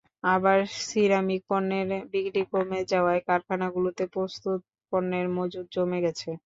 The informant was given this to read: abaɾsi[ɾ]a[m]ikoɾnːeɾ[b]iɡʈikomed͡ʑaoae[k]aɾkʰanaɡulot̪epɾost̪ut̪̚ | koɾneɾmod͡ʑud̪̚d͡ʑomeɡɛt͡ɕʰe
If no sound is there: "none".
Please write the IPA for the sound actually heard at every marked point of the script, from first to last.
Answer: ɾ, m, b, k

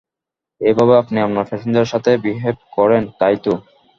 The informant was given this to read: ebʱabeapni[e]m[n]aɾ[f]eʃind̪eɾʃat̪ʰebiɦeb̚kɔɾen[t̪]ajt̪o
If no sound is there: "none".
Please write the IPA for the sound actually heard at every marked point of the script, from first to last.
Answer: a, n, f, t̪

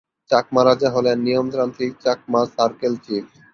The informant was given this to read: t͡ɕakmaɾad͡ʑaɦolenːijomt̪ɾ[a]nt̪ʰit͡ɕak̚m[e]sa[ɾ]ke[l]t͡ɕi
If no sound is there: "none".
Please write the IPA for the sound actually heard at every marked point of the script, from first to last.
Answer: a, a, ɾ, l

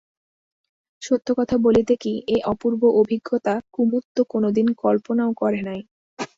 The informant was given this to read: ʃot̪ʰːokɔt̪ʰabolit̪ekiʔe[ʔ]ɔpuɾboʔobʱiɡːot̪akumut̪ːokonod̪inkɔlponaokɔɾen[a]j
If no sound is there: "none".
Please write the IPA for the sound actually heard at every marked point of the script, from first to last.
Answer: ʔ, a

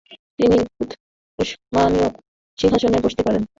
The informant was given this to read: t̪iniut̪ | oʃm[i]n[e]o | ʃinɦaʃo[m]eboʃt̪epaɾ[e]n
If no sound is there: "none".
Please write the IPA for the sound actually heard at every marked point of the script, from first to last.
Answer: a, i, n, e

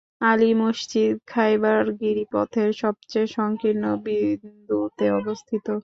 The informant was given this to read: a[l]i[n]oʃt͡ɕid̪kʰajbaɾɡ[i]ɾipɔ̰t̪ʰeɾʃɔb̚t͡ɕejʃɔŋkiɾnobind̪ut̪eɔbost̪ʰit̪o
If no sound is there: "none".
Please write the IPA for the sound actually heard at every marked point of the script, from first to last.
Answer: l, m, i

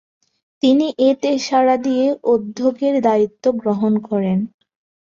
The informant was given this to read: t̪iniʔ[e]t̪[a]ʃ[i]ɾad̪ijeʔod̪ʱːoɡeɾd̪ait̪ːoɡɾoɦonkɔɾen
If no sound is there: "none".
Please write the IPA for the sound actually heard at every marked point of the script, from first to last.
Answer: e, e, a

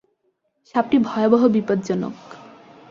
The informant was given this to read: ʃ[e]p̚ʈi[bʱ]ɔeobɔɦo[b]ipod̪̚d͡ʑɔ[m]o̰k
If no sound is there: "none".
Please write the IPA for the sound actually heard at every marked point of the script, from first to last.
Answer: a, bʱ, b, n

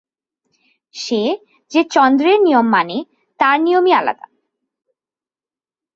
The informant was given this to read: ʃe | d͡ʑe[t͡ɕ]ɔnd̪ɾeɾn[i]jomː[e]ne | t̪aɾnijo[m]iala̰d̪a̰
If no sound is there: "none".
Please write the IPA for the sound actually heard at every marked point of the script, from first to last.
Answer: t͡ɕ, i, a, m

